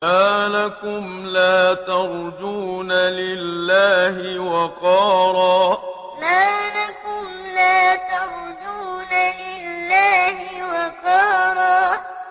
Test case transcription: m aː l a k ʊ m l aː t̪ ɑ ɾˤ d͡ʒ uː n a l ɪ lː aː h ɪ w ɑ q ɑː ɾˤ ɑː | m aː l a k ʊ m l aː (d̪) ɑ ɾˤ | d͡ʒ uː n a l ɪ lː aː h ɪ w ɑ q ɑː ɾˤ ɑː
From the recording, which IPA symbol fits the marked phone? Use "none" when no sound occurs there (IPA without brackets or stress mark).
t̪